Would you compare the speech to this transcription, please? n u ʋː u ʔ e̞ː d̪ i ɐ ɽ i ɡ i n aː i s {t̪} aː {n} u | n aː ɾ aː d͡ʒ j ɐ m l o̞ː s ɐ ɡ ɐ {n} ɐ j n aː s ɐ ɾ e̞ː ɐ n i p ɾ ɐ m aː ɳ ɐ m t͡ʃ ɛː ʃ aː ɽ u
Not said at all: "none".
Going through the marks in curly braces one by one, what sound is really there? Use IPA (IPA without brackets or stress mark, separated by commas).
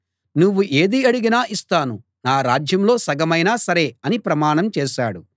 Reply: t̪, n, m